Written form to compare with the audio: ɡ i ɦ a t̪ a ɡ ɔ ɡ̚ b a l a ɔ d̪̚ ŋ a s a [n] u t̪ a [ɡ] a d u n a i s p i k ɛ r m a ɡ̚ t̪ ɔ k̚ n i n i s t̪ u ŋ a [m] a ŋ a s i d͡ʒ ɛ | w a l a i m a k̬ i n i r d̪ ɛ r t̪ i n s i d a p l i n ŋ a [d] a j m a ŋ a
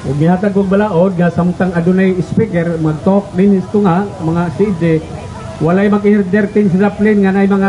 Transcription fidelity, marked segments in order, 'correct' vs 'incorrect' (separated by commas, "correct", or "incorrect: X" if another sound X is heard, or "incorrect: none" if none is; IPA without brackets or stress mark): incorrect: m, incorrect: ŋ, correct, incorrect: n